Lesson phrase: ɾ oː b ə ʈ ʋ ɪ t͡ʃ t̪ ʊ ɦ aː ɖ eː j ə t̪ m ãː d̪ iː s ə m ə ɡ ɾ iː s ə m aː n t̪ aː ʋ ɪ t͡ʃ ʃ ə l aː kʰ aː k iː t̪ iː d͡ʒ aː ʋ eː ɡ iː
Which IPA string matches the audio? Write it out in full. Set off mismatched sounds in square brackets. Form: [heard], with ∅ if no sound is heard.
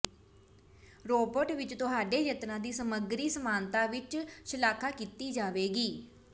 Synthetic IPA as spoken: ɾ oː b ə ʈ ʋ ɪ t͡ʃ t̪ ʊ ɦ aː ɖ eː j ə t̪ [n] ãː d̪ iː s ə m ə ɡ ɾ iː s ə m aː n t̪ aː ʋ ɪ t͡ʃ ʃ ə l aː kʰ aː k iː t̪ iː d͡ʒ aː ʋ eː ɡ iː

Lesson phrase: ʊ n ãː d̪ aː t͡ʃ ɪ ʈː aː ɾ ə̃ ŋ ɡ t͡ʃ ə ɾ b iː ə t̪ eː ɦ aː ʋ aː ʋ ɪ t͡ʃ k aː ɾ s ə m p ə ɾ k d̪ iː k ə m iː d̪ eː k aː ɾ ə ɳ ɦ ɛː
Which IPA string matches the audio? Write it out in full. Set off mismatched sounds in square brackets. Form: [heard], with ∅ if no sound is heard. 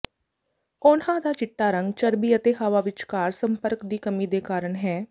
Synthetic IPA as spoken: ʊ n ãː d̪ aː t͡ʃ ɪ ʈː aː ɾ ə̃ ŋ ɡ t͡ʃ ə ɾ b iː ə t̪ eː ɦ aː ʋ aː ʋ ɪ t͡ʃ k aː ɾ s ə m p ə ɾ k d̪ iː k ə m iː d̪ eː k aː ɾ ə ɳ ɦ ɛː

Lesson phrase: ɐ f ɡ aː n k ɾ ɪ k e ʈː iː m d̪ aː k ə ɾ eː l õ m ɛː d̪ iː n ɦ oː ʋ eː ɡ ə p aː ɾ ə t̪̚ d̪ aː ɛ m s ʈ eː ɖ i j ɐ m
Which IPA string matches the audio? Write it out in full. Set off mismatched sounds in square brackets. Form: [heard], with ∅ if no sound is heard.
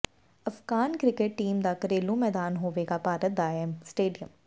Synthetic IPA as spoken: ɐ f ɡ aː n k ɾ ɪ k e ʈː iː m d̪ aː k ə ɾ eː l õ m ɛː d̪ [aː] n ɦ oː ʋ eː ɡ [a] p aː ɾ ə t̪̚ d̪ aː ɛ m s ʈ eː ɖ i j [ə] m

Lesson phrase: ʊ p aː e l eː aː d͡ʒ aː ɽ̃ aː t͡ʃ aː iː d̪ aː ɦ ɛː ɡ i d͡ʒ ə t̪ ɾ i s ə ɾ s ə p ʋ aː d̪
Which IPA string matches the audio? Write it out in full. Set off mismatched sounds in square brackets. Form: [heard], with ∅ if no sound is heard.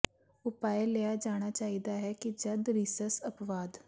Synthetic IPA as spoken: ʊ p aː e l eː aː d͡ʒ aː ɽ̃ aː t͡ʃ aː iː d̪ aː ɦ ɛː [k] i d͡ʒ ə [d̪] ɾ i s ə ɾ s ə p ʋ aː d̪

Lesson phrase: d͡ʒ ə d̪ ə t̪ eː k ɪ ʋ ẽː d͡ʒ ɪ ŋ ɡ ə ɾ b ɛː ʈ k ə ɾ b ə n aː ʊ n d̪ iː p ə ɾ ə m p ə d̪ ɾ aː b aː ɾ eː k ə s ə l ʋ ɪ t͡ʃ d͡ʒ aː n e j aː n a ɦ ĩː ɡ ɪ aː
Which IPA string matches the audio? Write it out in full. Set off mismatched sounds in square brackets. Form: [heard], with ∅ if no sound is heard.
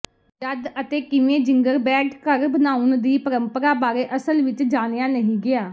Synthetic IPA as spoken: d͡ʒ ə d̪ ə t̪ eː k ɪ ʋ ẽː d͡ʒ ɪ ŋ ɡ ə ɾ b ɛː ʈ k ə ɾ b ə n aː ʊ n d̪ iː p ə ɾ ə m p ə [∅] ɾ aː b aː ɾ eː [ʔ] ə s ə l ʋ ɪ t͡ʃ d͡ʒ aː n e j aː n [ə] ɦ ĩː ɡ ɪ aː

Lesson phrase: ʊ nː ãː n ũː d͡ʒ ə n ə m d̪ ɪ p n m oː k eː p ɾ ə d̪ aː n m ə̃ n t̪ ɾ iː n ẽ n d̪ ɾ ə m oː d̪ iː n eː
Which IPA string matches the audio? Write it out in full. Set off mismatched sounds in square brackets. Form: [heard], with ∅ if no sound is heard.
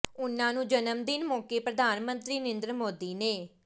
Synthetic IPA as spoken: ʊ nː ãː n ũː d͡ʒ ə n ə m d̪ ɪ [∅] n m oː k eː p ɾ ə d̪ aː n m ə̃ n t̪ ɾ iː n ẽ n d̪ ɾ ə m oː d̪ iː n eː

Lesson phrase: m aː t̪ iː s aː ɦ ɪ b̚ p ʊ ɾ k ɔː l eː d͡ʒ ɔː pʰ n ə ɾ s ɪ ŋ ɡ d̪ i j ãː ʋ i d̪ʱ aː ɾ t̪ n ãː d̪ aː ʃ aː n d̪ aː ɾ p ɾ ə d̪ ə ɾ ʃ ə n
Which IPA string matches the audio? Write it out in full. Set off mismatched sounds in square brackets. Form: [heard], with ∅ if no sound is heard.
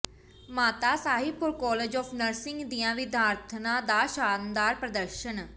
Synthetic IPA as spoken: m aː t̪ [aː] s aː ɦ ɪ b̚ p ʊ ɾ k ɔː l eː d͡ʒ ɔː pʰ n ə ɾ s ɪ ŋ ɡ d̪ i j ãː ʋ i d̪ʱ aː ɾ [t̪ʰ] n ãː d̪ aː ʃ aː n d̪ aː ɾ p ɾ ə d̪ ə ɾ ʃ ə n

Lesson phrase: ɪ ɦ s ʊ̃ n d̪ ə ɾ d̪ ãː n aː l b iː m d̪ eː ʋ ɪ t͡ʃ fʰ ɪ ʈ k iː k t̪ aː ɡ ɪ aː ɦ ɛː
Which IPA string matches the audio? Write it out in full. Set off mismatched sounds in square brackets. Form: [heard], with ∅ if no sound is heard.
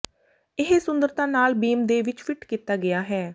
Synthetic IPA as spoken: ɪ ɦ s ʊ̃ n d̪ ə ɾ [t̪] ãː n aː l b iː m d̪ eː ʋ ɪ t͡ʃ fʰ ɪ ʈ k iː [∅] t̪ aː ɡ ɪ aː ɦ ɛː

